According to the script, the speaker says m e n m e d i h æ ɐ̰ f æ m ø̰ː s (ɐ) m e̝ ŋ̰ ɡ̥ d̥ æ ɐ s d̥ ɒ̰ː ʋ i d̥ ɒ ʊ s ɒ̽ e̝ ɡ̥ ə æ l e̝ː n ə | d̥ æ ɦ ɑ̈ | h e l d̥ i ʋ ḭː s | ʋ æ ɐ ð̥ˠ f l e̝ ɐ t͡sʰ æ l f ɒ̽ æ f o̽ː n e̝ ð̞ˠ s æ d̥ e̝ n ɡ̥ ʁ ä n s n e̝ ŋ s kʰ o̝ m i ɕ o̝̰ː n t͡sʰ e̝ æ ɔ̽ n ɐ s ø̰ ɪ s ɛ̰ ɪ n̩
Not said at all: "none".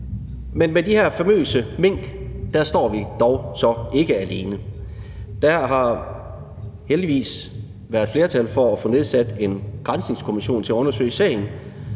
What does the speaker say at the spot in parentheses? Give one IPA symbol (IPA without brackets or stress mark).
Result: ə